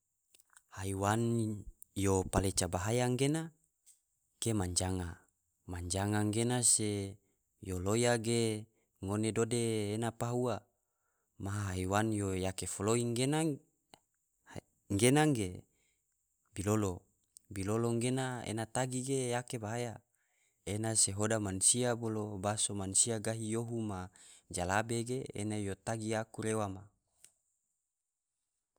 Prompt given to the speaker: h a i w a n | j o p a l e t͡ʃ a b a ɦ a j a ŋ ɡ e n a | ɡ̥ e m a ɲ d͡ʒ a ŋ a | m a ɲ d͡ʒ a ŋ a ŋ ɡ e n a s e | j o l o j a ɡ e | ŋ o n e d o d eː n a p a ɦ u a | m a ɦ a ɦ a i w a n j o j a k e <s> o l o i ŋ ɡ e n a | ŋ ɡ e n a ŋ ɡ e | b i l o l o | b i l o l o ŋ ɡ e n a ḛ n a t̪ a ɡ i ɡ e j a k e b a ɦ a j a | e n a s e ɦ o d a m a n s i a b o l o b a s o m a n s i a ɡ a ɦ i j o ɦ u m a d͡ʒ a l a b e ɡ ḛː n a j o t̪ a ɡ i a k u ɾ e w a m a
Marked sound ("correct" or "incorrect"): incorrect